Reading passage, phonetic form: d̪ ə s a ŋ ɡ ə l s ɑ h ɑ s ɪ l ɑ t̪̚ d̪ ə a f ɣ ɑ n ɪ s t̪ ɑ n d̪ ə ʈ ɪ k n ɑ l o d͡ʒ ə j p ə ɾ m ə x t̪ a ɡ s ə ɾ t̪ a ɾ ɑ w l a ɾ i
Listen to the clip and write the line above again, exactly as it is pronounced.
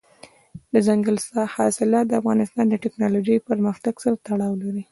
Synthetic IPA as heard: d̪ ə z a ŋ ɡ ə l s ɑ h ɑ s ɪ l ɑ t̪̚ d̪ ə a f ɣ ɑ n ɪ s t̪ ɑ n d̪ ə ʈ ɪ k n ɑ l o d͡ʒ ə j p ə ɾ m ə x t̪ a ɡ s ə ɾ t̪ a ɽ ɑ w l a ɾ i

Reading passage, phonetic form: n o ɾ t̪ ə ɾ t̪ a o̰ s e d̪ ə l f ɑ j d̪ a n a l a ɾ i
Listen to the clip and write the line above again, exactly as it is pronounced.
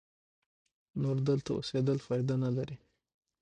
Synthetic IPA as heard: n o ɾ d̪ ə l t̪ a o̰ s e d̪ ə l f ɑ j d̪ a n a l a ɾ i

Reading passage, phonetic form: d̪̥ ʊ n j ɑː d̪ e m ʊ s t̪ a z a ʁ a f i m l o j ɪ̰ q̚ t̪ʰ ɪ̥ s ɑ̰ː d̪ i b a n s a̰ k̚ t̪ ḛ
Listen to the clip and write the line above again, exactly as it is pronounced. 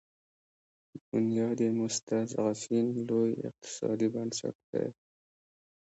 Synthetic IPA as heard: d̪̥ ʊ n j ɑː d̪ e m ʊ s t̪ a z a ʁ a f i n l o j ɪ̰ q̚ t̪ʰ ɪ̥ s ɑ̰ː d̪ i b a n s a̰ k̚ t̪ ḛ

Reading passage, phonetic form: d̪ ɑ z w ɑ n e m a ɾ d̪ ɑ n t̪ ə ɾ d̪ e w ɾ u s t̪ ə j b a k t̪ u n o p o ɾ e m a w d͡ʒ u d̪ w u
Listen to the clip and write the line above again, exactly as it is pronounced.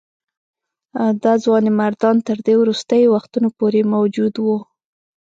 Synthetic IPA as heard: d̪ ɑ z w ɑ n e m a ɾ d̪ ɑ n t̪ ə ɾ d̪ e w ɾ u s t̪ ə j w a x t̪ u n o p o ɾ e m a w d͡ʒ u d̪ w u

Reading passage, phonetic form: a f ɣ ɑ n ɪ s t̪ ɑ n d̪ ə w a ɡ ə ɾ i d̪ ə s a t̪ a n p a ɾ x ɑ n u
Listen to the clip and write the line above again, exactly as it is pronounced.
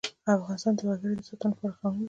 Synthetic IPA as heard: a f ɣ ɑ n ɪ s t̪ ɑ n d̪ ə w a ɡ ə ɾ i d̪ ə s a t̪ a n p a ɾ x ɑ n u

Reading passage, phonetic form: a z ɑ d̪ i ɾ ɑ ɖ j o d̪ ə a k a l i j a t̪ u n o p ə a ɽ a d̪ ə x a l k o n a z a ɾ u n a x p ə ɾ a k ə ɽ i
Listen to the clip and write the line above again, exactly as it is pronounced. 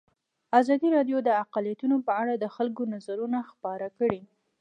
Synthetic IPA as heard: a z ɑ d̪ i ɾ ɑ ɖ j o d̪ ə a q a l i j a t̪ u n o p ə a ɽ a d̪ ə x a l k o n a z a ɾ u n a x p ɑ ɾ a k ə ɽ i

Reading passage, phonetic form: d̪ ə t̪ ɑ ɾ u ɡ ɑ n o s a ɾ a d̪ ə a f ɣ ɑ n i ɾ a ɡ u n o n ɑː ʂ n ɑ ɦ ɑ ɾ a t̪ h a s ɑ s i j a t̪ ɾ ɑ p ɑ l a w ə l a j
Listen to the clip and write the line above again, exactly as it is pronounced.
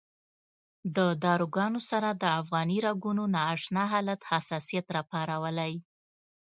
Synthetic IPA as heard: d̪ ə d̪ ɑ ɾ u ɡ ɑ n o s a ɾ a d̪ ə a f ɣ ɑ n i ɾ a ɡ u n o n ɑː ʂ n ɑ ɦ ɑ l a t̪ h a s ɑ s i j a t̪ ɾ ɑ p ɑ ɾ a w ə l a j

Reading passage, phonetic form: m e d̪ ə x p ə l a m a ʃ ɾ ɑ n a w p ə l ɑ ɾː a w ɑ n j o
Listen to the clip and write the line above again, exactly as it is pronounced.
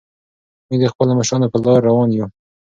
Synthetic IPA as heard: m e d̪ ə x p ə l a m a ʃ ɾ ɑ n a p ə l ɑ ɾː a w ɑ n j u

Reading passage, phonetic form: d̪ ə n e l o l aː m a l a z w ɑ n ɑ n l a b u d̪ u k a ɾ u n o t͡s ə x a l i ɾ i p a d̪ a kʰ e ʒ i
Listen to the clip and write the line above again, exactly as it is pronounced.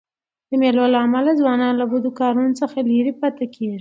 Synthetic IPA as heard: d̪ ə m e l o l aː m a l a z w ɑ n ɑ n l a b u d̪ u k ɑ ɾ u n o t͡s ə x a l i ɾ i p a t̪ a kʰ e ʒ i

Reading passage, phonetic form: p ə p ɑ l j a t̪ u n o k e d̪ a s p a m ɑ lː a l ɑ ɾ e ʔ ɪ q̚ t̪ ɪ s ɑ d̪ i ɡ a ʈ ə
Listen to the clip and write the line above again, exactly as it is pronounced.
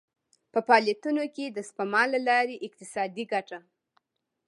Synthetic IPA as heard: p ə p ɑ l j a t̪ u n o k e d̪ ə s p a m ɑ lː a l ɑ ɾ e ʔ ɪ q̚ t̪ ɪ s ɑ d̪ i ɡ a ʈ a

